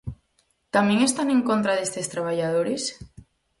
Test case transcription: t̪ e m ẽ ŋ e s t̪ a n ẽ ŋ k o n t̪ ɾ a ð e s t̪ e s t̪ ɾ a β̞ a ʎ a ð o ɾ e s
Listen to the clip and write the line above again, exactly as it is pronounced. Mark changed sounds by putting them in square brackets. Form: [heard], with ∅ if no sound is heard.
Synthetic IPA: t̪ [a] m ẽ ŋ e s t̪ a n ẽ ŋ k o n t̪ ɾ a ð e s t̪ e s t̪ ɾ a β̞ a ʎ a ð o ɾ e s